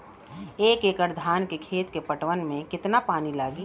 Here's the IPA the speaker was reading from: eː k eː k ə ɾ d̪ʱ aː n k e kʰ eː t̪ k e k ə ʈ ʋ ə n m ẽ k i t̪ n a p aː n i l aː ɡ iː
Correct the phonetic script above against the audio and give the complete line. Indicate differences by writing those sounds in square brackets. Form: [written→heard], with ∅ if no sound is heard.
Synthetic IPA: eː k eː k ə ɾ d̪ʱ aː n k e kʰ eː t̪ k e [k→p] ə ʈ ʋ ə n m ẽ k [i→ɪ] t̪ n a p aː n i l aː ɡ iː